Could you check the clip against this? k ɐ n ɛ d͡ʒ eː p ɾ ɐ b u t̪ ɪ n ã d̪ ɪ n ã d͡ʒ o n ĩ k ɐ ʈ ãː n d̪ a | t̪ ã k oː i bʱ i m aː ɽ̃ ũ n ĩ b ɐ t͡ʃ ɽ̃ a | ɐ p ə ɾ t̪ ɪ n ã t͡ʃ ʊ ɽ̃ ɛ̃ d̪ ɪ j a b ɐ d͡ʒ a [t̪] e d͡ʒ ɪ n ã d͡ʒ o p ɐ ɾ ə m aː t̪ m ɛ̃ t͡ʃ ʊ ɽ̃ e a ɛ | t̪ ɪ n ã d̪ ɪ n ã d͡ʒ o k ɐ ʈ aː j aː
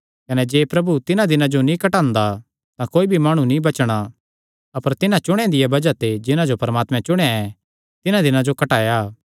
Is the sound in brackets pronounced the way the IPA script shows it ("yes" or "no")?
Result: yes